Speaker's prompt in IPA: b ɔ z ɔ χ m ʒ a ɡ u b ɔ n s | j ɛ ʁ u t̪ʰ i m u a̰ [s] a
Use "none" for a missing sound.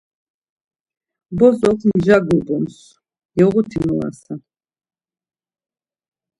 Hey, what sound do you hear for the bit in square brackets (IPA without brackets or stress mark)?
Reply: s